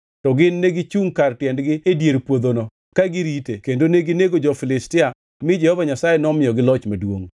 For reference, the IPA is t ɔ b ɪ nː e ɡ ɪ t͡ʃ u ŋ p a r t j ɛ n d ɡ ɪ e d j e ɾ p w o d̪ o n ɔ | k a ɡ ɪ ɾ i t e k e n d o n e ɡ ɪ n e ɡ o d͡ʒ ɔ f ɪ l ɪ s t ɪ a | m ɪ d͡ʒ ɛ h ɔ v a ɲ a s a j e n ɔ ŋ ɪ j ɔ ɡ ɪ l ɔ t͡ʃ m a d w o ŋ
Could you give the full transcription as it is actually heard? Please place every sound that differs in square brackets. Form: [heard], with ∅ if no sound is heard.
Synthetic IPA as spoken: t ɔ [ɡ] ɪ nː e ɡ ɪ t͡ʃ u ŋ [k] a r t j ɛ n d ɡ ɪ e d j e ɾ p w o d̪ o n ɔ | k a ɡ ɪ ɾ i t e k e n d o n e ɡ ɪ n e ɡ o d͡ʒ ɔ f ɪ l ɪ s t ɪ a | m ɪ d͡ʒ ɛ h ɔ v a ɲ a s a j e n ɔ [m] ɪ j ɔ ɡ ɪ l ɔ t͡ʃ m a d w o ŋ